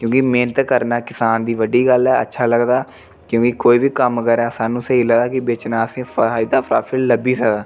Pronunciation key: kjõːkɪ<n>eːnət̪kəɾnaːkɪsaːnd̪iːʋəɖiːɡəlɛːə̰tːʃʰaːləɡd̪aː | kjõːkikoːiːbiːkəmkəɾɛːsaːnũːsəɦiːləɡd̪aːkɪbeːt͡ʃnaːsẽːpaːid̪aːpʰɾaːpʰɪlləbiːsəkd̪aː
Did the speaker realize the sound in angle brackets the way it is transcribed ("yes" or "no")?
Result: no